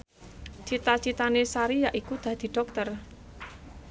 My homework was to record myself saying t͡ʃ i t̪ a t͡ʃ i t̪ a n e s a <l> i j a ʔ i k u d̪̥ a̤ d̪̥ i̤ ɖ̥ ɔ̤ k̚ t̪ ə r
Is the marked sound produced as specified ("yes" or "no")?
no